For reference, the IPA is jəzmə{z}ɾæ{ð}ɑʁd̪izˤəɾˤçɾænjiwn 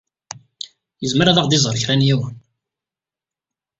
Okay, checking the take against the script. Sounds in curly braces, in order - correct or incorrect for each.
incorrect, correct

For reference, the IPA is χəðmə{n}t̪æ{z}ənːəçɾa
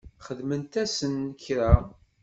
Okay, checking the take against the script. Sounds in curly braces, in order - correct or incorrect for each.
correct, incorrect

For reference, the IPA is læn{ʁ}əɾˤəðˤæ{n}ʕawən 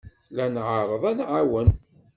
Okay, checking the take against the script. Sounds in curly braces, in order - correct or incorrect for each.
incorrect, correct

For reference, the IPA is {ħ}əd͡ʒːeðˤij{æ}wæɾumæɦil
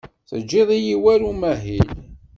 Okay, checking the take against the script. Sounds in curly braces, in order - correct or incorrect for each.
incorrect, incorrect

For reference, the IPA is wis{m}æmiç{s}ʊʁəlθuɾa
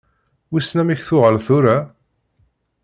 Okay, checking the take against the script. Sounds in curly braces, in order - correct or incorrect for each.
incorrect, incorrect

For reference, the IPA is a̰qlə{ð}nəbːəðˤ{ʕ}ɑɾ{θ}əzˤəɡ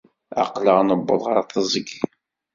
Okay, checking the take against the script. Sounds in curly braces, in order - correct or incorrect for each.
incorrect, incorrect, correct

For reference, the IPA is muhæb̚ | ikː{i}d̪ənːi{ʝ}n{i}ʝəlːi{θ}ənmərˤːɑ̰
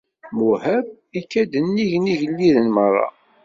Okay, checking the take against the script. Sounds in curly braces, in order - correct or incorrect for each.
incorrect, correct, correct, incorrect

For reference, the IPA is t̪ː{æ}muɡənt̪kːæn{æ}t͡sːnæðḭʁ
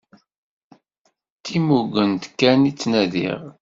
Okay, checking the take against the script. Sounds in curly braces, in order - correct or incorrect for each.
incorrect, incorrect

